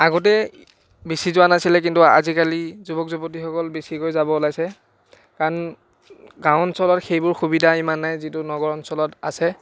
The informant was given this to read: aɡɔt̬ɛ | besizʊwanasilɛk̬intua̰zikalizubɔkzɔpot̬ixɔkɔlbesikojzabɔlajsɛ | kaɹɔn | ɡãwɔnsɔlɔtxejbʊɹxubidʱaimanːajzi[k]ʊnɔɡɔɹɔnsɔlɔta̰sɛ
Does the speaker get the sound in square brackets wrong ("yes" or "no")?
yes